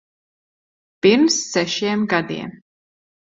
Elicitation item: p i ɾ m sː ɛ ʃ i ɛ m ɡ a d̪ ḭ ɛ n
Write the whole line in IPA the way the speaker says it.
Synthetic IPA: p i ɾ m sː ɛ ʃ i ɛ m ɡ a d̪ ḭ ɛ m